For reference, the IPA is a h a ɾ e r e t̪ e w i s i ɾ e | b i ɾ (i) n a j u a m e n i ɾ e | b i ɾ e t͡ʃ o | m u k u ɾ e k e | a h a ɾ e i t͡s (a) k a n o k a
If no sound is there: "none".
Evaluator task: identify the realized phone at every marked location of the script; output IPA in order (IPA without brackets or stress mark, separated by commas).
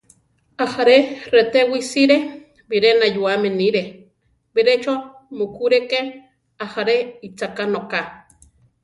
e, a